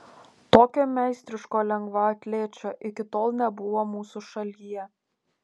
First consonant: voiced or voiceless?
voiceless